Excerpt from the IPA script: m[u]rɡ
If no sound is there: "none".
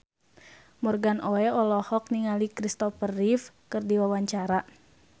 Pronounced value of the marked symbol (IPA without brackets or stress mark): ɔ